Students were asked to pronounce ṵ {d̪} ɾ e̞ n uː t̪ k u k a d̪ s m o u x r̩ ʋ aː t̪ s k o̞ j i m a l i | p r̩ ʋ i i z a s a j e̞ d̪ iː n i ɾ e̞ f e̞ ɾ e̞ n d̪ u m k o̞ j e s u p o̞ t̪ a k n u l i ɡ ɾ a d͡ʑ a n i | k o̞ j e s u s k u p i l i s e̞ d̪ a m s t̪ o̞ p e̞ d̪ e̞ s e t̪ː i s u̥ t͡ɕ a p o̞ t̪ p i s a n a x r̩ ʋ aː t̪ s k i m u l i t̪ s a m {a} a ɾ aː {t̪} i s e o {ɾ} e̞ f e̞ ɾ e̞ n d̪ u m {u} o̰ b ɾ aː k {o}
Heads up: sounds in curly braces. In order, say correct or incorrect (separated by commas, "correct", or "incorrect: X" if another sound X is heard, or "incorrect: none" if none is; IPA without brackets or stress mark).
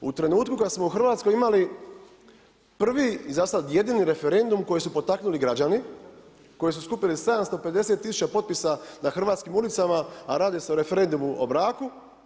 incorrect: t̪, correct, incorrect: d̪, correct, correct, incorrect: u